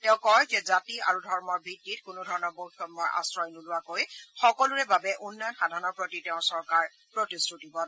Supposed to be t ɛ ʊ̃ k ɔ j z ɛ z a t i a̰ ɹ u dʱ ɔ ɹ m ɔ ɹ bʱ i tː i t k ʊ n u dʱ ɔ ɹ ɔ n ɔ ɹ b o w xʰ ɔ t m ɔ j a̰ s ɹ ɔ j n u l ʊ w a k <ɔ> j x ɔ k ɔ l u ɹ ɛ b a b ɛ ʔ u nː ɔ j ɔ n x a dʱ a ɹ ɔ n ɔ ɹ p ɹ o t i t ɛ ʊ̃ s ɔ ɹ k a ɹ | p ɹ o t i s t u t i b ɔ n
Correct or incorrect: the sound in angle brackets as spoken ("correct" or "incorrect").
incorrect